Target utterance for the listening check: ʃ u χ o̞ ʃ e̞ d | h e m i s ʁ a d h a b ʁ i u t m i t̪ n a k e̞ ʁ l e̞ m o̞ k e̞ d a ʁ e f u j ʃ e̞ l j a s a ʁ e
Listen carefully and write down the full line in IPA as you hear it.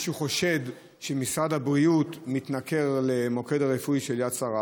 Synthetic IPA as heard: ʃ u χ o̞ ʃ e̞ d | ʃ e m i s ʁ a d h a b ʁ i u t m i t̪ n a k e̞ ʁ l e̞ m o̞ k e̞ d a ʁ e f u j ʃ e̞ l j a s a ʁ a